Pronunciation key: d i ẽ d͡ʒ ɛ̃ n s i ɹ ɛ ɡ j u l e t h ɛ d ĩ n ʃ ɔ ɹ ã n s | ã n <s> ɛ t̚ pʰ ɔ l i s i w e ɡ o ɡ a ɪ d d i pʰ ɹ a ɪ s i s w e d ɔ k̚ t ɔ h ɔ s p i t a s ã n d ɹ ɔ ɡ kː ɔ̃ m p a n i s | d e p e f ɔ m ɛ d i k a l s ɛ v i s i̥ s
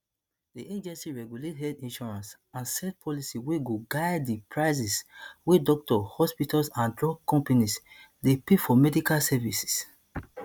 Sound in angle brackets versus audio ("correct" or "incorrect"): correct